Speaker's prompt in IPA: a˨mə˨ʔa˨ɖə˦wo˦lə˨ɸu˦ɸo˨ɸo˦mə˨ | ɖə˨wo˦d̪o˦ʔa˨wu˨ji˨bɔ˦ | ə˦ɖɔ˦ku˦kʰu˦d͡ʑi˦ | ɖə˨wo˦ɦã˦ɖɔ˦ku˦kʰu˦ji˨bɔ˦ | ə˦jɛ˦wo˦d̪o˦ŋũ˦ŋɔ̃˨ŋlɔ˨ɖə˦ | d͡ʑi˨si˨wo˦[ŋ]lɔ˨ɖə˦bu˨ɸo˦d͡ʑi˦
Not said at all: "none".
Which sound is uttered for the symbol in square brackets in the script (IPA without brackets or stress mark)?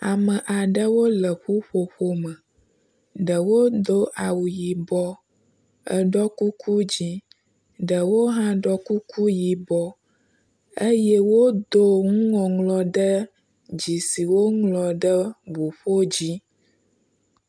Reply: ŋ